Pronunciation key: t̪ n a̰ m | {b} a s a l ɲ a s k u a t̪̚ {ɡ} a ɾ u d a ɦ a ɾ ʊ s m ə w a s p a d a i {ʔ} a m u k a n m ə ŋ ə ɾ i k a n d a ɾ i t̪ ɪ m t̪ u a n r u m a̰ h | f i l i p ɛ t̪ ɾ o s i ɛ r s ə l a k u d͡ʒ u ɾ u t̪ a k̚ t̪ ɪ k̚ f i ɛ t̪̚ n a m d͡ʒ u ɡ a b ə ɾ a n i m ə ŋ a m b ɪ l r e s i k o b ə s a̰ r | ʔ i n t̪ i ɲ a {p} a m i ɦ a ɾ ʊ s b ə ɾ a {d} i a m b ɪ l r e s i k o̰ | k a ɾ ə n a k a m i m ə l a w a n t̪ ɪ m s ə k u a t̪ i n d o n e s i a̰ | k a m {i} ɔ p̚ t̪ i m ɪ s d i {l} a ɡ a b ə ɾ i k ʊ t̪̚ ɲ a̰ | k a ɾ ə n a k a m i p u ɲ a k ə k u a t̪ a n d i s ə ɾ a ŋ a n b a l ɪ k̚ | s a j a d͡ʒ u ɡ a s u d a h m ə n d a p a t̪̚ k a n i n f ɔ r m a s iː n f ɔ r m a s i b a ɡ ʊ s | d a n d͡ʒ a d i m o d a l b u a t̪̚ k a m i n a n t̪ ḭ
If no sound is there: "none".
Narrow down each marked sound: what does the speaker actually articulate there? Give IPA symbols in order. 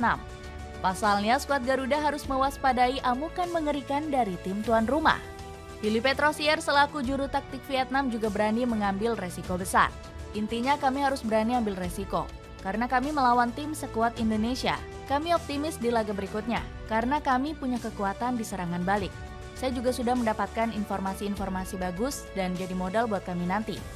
p, ɡ, ʔ, k, n, i, l

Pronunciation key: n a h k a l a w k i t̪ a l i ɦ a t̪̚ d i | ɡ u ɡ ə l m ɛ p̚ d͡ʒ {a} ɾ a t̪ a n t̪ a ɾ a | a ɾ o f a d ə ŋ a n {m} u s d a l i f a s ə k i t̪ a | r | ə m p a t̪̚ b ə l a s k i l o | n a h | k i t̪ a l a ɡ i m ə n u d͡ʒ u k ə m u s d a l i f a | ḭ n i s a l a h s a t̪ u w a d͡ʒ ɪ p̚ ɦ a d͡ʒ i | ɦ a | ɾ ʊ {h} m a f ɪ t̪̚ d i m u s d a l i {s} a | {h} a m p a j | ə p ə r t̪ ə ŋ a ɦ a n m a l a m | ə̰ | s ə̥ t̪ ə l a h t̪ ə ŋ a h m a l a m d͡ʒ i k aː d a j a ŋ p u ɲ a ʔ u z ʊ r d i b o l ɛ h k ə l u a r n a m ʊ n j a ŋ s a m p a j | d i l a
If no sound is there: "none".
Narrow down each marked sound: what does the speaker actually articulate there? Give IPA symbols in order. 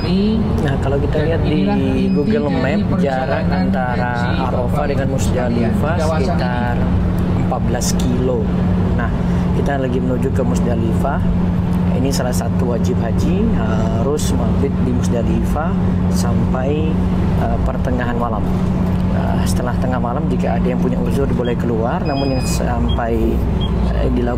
a, m, s, f, s

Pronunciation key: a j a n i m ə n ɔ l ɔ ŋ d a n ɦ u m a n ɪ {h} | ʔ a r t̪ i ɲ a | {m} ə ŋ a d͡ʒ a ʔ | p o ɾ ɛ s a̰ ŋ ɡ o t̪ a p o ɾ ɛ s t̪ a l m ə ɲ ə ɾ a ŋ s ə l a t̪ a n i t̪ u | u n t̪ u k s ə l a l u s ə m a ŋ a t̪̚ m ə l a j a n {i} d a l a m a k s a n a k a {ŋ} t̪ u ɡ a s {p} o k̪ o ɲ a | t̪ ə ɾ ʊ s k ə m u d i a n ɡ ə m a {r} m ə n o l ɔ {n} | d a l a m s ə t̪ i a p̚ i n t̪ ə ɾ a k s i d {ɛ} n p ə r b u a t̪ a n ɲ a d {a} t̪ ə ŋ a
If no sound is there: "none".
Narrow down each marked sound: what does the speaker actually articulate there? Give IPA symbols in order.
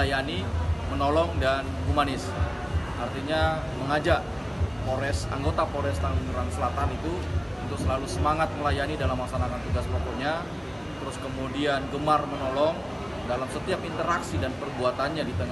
s, m, i, n, p, r, ŋ, a, i

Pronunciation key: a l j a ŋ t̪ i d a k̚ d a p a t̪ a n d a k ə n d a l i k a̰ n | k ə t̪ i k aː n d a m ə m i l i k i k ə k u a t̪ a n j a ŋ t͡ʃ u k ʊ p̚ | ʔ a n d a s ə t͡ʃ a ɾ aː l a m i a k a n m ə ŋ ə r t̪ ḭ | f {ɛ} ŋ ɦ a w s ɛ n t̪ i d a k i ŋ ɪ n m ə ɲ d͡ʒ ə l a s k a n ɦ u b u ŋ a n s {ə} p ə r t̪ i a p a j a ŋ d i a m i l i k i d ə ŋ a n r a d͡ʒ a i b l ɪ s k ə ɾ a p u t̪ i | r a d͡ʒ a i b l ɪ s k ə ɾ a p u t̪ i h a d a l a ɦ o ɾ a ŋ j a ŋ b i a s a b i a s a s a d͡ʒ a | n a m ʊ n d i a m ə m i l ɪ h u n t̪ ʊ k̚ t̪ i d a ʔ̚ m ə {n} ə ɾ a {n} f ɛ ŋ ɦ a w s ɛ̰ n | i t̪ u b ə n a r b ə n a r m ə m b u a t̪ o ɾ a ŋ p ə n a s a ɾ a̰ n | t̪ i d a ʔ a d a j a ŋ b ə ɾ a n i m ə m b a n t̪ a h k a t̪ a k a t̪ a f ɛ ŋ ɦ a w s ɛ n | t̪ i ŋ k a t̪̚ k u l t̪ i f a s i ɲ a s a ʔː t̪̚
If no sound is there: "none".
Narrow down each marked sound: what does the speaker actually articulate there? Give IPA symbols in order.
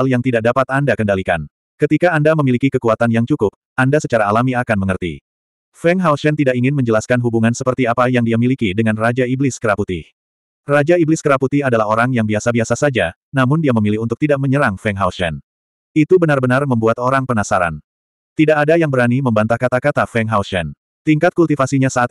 ɛ, ə, ɲ, ŋ

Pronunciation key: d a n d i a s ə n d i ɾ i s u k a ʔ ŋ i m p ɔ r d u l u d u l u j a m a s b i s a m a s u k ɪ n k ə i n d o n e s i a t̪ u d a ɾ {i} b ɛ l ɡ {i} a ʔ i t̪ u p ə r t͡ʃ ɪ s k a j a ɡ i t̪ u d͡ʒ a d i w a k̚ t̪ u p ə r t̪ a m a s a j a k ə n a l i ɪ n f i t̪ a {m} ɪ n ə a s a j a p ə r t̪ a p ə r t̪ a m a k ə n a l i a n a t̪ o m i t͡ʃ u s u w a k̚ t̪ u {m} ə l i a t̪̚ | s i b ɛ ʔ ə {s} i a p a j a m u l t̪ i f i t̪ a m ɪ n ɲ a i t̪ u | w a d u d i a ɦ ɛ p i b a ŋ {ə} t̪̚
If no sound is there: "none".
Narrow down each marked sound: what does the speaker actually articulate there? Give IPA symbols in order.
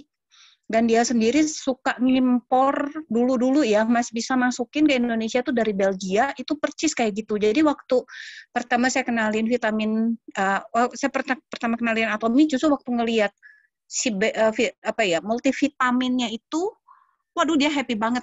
i, i, m, ŋ, f, ə

